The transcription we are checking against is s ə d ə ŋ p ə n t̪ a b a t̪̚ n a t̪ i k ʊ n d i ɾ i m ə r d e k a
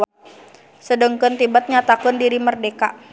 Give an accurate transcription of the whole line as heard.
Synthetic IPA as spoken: s ə d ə ŋ k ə n t̪ i b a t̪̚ ɲ a t̪ a k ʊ n d i ɾ i m ə r d e k a